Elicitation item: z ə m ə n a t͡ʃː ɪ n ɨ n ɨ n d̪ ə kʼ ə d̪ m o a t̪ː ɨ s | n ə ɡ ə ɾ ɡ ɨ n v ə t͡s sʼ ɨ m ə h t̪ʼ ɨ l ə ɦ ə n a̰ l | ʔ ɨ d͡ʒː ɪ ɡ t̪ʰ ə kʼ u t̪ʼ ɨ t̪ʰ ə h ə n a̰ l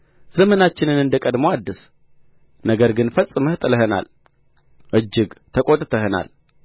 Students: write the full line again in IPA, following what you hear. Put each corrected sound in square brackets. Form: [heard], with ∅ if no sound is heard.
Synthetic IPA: z ə m ə n a t͡ʃː ɪ n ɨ n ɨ n d̪ ə kʼ ə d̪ m o a [d̪ː] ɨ s | n ə ɡ ə ɾ ɡ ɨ n [f] ə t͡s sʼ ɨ m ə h t̪ʼ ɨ l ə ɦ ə n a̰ l | ʔ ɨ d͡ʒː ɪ ɡ t̪ʰ ə kʼ [o] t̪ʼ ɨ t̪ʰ ə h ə n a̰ l